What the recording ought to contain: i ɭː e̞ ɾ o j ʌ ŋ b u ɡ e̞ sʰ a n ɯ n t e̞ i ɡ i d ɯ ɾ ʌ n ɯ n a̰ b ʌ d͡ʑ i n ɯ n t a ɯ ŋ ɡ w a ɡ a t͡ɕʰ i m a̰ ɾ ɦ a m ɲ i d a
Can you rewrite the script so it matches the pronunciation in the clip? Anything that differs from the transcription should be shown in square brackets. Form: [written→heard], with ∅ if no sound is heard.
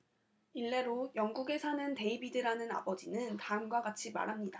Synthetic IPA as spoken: i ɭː e̞ ɾ o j ʌ ŋ [b→ɡ] u ɡ e̞ sʰ a n ɯ n t e̞ i [ɡ→b] i d ɯ ɾ [ʌ→a] n ɯ n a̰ b ʌ d͡ʑ i n ɯ n t a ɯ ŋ ɡ w a ɡ a t͡ɕʰ i m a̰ ɾ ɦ a m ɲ i d a